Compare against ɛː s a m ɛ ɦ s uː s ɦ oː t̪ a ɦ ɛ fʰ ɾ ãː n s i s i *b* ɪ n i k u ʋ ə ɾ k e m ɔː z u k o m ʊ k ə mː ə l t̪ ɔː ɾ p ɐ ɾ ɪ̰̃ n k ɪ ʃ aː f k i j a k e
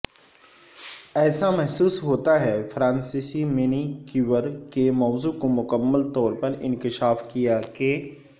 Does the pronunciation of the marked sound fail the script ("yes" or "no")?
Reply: yes